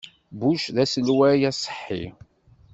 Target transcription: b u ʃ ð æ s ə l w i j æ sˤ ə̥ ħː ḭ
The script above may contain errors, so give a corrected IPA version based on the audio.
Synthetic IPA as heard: b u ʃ ð æ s ə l w æ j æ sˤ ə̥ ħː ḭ